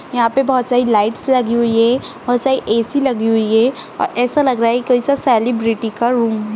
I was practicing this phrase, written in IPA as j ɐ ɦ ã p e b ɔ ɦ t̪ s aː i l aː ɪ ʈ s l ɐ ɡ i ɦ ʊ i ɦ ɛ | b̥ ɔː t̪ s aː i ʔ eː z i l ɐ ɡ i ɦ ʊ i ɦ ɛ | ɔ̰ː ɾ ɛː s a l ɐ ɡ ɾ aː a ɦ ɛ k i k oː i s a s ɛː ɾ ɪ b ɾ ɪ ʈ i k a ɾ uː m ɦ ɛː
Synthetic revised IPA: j ɐ ɦ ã p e b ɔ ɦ t̪ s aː i l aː ɪ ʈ s l ɐ ɡ i ɦ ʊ i ɦ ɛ | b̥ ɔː t̪ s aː i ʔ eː s i l ɐ ɡ i ɦ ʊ i ɦ ɛ | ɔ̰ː ɾ ɛː s a l ɐ ɡ ɾ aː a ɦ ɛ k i k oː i s a s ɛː l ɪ b ɾ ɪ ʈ i k a ɾ uː m ɦ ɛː